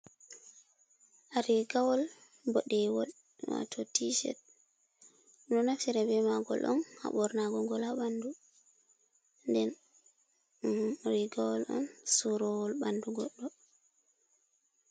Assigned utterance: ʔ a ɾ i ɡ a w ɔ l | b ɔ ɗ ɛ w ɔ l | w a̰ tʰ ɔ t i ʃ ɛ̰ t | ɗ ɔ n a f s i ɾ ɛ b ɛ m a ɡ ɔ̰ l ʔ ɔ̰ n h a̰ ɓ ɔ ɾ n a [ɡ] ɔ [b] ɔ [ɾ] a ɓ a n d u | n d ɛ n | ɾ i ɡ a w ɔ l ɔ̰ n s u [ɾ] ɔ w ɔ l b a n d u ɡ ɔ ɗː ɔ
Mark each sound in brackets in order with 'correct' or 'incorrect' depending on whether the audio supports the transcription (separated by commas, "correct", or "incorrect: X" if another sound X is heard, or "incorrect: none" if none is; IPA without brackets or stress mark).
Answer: correct, incorrect: ɡ, incorrect: l, correct